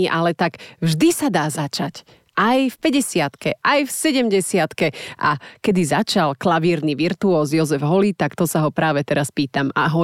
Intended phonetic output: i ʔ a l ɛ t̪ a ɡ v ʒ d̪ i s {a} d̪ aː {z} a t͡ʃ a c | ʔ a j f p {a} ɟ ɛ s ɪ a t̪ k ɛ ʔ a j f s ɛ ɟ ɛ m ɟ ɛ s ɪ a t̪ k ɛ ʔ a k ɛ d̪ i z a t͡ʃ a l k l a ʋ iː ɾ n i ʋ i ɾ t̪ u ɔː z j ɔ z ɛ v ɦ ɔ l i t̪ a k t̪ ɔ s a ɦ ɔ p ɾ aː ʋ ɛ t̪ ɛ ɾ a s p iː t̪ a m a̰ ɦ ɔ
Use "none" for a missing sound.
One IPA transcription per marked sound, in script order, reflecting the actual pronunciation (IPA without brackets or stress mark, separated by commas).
a, z, ɛ